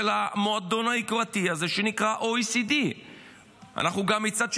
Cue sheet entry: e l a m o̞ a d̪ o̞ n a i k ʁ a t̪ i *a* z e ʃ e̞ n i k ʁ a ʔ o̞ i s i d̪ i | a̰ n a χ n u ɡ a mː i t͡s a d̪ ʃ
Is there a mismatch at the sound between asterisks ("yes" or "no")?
no